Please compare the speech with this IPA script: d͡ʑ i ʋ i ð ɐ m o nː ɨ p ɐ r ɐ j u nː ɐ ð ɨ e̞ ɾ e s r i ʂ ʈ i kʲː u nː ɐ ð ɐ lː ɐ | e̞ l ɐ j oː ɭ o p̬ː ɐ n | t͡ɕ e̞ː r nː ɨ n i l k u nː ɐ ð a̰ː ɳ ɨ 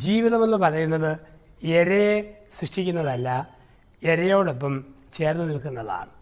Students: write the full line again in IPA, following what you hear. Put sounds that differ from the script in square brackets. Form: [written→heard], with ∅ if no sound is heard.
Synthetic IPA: d͡ʑ [i→iː] ʋ i ð ɐ m o nː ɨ p ɐ r ɐ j u nː ɐ ð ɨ e̞ ɾ e s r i ʂ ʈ i kʲː u nː ɐ ð ɐ lː ɐ | e̞ [l→ɾ] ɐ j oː [ɭ→ɽ] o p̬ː ɐ [n→m] | t͡ɕ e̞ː r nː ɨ n i l k u nː ɐ ð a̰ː ɳ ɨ